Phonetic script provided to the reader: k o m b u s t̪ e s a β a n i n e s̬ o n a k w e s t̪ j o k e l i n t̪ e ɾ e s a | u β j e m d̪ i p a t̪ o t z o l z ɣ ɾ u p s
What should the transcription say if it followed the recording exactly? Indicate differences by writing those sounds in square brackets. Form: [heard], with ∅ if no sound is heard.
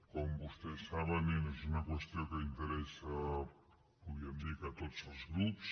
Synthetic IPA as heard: k o m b u s t̪ e s a β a n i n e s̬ [u] n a k w e s t̪ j o k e [∅] i n t̪ e ɾ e s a | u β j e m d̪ i [k] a t̪ o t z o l z ɣ ɾ u p s